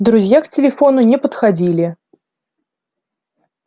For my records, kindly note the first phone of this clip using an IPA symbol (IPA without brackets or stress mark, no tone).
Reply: d̪